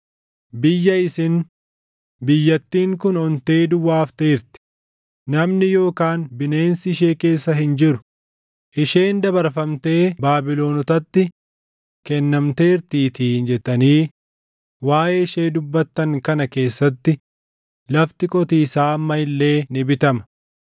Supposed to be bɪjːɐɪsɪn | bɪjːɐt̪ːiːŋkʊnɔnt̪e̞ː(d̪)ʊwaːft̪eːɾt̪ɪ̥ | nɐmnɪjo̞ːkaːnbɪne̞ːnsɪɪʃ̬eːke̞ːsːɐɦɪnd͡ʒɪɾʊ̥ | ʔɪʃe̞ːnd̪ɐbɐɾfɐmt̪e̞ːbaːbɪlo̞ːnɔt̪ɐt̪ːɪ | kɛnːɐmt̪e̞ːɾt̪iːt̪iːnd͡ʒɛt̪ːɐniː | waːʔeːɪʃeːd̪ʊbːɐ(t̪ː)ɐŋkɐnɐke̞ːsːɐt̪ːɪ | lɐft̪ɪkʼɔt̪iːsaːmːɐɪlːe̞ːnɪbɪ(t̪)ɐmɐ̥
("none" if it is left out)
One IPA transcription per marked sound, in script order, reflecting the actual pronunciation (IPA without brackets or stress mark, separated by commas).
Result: d̪, t̪ː, t̪